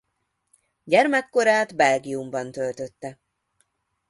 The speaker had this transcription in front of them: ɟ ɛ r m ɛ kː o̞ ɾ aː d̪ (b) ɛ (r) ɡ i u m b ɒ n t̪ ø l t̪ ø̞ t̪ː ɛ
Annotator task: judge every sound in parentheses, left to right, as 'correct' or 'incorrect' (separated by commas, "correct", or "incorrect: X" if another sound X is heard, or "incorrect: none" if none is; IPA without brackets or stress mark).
correct, incorrect: l